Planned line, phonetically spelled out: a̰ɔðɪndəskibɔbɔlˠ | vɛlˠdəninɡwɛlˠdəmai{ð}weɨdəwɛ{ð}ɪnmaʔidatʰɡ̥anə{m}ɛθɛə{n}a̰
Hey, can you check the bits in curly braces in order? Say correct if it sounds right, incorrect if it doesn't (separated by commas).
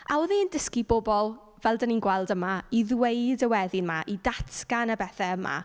correct, correct, incorrect, incorrect